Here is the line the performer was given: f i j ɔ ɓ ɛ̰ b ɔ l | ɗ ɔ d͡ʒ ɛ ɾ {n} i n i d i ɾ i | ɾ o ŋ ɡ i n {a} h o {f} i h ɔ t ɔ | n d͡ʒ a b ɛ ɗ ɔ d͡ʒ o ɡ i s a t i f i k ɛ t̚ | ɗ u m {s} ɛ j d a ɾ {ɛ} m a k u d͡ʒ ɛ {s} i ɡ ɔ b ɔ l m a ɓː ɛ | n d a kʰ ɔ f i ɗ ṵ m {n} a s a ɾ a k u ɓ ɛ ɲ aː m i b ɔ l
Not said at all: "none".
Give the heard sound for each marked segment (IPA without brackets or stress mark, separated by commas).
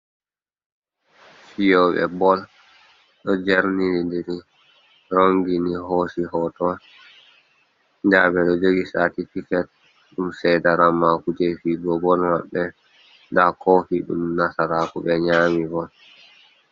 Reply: n, i, s, s, a, f, n